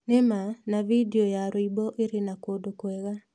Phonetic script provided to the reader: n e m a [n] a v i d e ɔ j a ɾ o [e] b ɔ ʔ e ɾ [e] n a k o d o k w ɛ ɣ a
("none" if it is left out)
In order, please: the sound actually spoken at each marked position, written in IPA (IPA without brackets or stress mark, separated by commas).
n, i, e